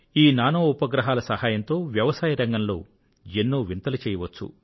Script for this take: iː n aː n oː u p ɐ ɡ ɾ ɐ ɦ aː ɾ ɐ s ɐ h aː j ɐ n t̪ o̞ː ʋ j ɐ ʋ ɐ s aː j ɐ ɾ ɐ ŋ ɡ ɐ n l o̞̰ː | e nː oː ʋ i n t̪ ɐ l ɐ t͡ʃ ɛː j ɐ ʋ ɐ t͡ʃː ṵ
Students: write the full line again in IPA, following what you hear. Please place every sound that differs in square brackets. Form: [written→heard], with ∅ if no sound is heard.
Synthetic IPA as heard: iː n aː n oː u p ɐ ɡ ɾ ɐ ɦ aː [ɾ→l] ɐ s ɐ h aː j ɐ n t̪ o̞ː ʋ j ɐ ʋ ɐ s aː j ɐ ɾ ɐ ŋ ɡ ɐ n l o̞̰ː | e nː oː ʋ i n t̪ ɐ l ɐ t͡ʃ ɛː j ɐ ʋ ɐ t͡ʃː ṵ

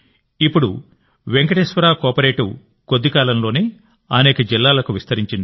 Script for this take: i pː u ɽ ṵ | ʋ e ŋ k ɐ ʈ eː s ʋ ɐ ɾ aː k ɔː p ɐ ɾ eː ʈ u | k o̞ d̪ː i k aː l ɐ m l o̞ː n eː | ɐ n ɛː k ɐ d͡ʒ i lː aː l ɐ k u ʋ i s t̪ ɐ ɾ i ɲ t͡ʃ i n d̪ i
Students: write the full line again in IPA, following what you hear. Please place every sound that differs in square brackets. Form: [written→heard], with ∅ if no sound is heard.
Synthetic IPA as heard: i pː u ɽ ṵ | ʋ e ŋ k ɐ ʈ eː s ʋ ɐ ɾ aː k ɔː p ɐ ɾ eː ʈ u | k o̞ d̪ː i k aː l ɐ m l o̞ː n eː | ɐ n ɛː k ɐ d͡ʒ i lː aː l ɐ k u ʋ i s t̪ ɐ ɾ i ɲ t͡ʃ i n d̪ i

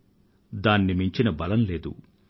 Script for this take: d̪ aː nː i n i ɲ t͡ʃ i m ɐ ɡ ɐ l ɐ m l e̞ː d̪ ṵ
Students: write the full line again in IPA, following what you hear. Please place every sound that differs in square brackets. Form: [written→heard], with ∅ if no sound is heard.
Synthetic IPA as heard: d̪ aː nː i [n→m] i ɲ t͡ʃ i [m→n] ɐ [ɡ→b] ɐ l ɐ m l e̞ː d̪ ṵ

